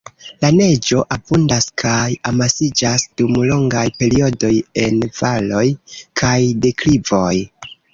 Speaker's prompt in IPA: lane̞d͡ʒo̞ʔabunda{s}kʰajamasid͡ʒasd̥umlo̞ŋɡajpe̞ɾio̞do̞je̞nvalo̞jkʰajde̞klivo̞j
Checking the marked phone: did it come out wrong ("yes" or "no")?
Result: no